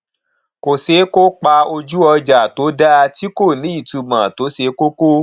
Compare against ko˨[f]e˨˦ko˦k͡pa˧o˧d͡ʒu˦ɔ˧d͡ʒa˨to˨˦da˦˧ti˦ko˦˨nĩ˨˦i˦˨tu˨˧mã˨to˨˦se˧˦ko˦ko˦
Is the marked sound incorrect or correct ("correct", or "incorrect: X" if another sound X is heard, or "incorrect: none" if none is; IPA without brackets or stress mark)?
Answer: incorrect: s